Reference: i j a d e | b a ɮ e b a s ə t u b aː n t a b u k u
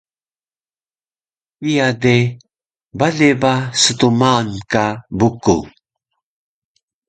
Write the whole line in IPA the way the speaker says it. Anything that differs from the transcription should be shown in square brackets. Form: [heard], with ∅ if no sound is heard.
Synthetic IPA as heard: i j a d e | b a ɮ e b a s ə t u [m] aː n [k] a b u k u